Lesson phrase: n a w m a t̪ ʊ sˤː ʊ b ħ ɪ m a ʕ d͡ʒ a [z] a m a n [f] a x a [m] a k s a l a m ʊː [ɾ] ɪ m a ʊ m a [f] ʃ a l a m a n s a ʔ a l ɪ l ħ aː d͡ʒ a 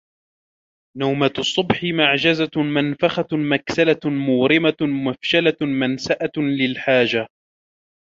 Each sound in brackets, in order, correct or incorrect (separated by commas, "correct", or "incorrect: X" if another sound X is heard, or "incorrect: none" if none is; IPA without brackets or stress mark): correct, correct, correct, correct, correct